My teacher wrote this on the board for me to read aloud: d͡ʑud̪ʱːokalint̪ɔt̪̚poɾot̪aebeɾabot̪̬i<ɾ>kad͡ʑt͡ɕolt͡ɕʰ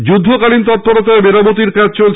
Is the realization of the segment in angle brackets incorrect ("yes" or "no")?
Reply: no